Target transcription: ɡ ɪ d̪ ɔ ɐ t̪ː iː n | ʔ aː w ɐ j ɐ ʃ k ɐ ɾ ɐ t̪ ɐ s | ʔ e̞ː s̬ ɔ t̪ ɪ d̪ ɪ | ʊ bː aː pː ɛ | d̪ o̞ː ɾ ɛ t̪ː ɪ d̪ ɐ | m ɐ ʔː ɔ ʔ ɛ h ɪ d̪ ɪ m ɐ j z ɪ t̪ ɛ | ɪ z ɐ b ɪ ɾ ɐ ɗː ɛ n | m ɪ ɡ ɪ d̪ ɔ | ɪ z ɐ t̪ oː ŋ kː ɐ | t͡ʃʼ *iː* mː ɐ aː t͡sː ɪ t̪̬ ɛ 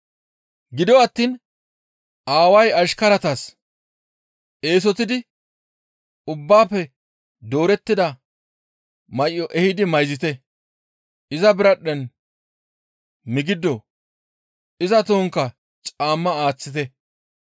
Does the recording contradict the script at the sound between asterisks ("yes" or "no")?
yes